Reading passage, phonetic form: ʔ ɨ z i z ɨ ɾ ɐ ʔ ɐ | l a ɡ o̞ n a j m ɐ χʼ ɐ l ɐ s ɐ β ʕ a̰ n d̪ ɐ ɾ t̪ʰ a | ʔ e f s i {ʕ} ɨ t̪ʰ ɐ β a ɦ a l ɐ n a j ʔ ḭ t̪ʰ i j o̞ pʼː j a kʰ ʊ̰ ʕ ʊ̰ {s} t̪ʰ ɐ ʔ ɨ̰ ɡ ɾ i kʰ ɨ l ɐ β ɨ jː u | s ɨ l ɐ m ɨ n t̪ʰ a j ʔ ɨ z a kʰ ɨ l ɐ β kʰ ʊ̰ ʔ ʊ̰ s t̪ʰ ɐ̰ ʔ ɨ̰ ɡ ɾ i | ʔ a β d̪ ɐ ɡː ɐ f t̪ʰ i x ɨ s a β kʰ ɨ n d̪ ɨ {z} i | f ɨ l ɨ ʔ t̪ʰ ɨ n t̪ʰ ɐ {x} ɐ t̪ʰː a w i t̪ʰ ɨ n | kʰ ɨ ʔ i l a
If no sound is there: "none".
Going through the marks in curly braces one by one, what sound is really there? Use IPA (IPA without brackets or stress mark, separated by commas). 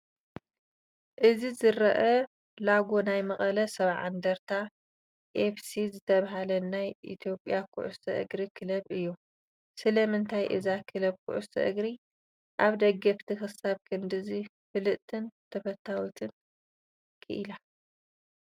z, s, z, f